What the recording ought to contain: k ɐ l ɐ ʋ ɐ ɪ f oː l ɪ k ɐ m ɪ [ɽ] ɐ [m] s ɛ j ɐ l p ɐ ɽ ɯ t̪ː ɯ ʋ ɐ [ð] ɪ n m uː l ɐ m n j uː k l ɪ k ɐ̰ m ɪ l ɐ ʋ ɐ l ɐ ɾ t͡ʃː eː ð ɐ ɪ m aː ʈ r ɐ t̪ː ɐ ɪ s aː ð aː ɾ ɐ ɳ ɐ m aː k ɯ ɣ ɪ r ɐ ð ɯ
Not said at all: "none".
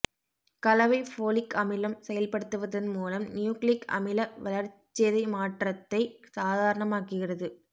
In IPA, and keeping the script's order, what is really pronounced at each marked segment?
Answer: l, m, ð

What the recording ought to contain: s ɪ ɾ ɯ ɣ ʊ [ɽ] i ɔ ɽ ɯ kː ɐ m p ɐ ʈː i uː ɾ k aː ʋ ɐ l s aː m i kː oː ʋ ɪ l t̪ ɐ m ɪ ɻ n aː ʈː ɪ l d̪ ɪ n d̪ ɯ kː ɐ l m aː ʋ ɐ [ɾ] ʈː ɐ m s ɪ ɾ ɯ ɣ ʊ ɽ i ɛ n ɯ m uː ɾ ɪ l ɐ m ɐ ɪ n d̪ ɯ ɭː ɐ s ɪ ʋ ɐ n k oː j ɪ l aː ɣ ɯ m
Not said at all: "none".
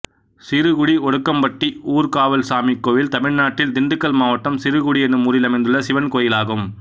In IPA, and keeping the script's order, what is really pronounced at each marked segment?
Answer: ɽ, none

